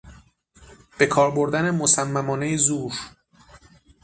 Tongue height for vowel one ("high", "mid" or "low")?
mid